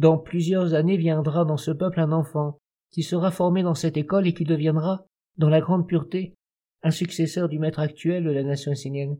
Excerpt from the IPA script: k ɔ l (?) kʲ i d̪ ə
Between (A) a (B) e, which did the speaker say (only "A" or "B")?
B